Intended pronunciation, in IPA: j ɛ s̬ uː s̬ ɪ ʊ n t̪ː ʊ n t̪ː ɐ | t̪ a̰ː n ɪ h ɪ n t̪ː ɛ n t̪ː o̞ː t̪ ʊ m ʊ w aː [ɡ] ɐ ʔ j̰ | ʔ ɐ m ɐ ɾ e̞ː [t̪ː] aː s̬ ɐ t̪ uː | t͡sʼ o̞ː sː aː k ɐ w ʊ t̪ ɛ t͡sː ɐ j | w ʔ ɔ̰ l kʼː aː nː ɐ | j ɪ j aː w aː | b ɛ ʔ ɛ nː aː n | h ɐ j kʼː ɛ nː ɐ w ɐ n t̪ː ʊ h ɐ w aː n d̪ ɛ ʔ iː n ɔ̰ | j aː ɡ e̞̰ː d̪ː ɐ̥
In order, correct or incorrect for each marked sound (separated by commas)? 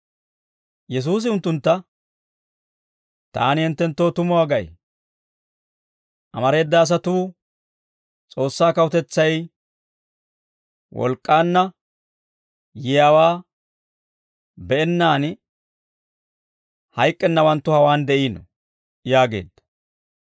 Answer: correct, incorrect